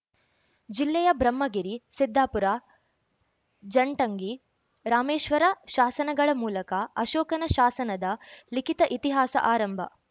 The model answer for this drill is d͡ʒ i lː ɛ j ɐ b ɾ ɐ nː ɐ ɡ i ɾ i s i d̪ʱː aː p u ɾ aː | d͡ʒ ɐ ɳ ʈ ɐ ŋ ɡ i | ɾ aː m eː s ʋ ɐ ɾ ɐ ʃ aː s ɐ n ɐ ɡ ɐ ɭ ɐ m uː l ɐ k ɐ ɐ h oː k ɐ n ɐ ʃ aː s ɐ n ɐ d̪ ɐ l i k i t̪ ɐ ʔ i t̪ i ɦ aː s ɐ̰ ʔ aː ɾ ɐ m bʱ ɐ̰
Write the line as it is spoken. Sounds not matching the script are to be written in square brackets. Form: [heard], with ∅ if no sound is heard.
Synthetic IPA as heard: d͡ʒ i lː ɛ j ɐ b ɾ ɐ [mː] ɐ ɡ i ɾ i s i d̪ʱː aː p u ɾ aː | d͡ʒ ɐ ɳ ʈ ɐ ŋ ɡ i | ɾ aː m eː [ʃ] ʋ ɐ ɾ ɐ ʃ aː s ɐ n ɐ ɡ ɐ ɭ ɐ m uː l ɐ k ɐ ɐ [ʃ] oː k ɐ n ɐ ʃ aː s ɐ n ɐ d̪ ɐ l i k i t̪ ɐ ʔ i t̪ i ɦ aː s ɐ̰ ʔ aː ɾ ɐ m bʱ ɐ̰

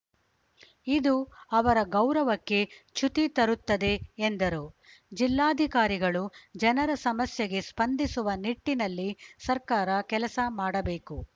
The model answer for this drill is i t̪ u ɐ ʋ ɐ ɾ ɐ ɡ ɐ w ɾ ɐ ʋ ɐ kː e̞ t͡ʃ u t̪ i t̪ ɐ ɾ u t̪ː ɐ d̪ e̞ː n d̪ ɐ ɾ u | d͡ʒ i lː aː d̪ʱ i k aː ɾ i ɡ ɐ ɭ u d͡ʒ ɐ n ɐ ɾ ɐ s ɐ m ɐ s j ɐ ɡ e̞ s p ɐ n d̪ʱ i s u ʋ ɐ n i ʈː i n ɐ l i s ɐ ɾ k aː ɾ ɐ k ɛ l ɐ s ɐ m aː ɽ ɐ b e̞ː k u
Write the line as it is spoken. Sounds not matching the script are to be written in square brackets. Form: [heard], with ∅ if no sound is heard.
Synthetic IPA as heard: i [d̪] u ɐ ʋ ɐ ɾ ɐ ɡ ɐ w ɾ ɐ ʋ ɐ kː e̞ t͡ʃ u t̪ i t̪ ɐ ɾ u t̪ː ɐ d̪ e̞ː n d̪ ɐ ɾ u | d͡ʒ i lː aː d̪ʱ i k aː ɾ i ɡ ɐ ɭ u d͡ʒ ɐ n ɐ ɾ ɐ s ɐ m ɐ s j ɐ ɡ e̞ s p ɐ n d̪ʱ i s u ʋ ɐ n i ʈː i n ɐ [lː] i s ɐ ɾ k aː ɾ ɐ k ɛ l ɐ s ɐ m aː ɽ ɐ b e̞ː k u

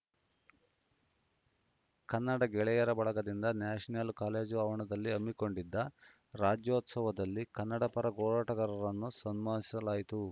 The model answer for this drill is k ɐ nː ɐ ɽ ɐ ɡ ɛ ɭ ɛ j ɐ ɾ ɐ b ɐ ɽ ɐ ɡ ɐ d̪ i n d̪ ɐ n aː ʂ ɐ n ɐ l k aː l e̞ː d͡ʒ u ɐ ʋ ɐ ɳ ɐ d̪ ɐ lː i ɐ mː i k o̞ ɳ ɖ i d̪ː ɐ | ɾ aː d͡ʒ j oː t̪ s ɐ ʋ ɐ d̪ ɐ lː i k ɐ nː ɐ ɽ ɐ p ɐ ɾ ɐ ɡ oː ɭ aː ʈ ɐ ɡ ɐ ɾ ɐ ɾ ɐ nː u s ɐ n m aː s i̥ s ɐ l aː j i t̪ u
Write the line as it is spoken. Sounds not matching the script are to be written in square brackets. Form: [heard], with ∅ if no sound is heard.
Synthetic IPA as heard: k ɐ nː ɐ ɽ ɐ ɡ ɛ ɭ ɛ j ɐ ɾ ɐ b ɐ [ɭ] ɐ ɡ ɐ d̪ i n d̪ ɐ n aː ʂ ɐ n ɐ l k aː l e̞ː d͡ʒ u ɐ ʋ ɐ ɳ ɐ d̪ ɐ lː i ɐ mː i k o̞ ɳ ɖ i d̪ː ɐ | ɾ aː d͡ʒ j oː t̪ s ɐ ʋ ɐ d̪ ɐ lː i k ɐ nː ɐ ɽ ɐ p ɐ ɾ ɐ ɡ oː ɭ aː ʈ ɐ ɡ ɐ ɾ ɐ ɾ ɐ nː u s ɐ n m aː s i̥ s ɐ l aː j i t̪ u

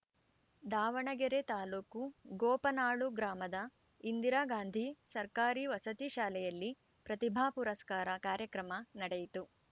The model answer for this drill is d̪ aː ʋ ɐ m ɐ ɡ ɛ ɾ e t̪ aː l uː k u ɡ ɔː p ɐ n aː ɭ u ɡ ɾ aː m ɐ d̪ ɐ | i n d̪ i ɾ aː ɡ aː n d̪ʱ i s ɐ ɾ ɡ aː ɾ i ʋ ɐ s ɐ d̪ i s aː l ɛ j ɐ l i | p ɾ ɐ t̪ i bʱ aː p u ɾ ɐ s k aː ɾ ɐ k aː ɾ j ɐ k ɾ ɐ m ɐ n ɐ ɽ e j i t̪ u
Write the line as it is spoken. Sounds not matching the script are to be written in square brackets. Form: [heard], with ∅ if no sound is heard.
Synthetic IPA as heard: d̪ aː ʋ ɐ [ɳ] ɐ ɡ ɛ ɾ e t̪ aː l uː k u ɡ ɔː p ɐ n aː ɭ u ɡ ɾ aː m ɐ d̪ ɐ | i n d̪ i ɾ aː ɡ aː n d̪ʱ i s ɐ ɾ [k] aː ɾ i ʋ ɐ s ɐ [t̪] i [ʃ] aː l ɛ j ɐ [lː] i | p ɾ ɐ t̪ i bʱ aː p u ɾ ɐ s k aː ɾ ɐ k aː ɾ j ɐ k ɾ ɐ m ɐ n ɐ ɽ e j i t̪ u

